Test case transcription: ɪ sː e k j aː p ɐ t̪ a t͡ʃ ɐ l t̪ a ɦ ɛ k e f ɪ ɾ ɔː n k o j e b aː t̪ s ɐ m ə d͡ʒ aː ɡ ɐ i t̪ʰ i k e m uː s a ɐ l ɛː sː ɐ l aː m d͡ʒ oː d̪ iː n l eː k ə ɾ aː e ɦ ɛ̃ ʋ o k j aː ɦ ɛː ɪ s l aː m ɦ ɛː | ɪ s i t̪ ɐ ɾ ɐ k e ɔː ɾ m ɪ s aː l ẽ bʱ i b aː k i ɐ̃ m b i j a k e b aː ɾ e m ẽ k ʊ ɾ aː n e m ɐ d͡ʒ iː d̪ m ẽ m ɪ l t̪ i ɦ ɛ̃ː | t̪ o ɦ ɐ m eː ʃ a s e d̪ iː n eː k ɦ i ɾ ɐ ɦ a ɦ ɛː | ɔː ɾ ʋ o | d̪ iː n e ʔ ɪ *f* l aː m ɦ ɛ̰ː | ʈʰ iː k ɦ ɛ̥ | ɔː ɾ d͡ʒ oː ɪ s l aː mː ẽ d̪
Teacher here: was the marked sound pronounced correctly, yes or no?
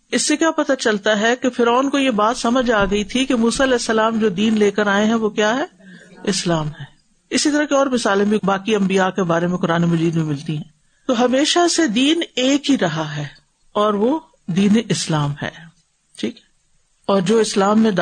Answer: no